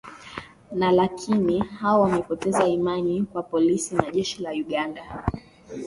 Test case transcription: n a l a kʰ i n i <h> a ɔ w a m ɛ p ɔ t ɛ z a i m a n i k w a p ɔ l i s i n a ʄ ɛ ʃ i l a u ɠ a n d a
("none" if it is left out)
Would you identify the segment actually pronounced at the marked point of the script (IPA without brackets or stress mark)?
h